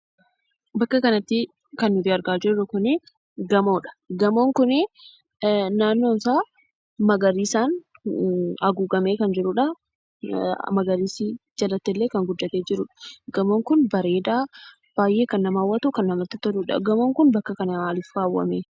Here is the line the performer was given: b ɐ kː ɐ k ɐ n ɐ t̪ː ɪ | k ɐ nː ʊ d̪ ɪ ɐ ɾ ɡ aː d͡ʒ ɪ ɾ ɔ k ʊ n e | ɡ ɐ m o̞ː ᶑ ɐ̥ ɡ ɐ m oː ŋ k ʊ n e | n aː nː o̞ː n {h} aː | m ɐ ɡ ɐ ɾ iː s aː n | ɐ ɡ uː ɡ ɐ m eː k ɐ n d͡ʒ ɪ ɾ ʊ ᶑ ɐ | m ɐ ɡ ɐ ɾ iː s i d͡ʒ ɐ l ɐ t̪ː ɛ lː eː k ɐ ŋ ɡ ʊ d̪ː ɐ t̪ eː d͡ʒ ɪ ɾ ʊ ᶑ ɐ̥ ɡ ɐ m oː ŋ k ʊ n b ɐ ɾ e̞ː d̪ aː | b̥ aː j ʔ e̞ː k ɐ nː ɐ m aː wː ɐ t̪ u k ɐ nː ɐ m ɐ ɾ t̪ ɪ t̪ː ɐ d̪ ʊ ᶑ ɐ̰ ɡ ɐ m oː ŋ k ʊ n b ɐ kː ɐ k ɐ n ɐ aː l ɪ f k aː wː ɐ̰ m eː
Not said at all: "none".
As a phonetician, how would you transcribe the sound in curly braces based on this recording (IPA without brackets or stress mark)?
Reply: s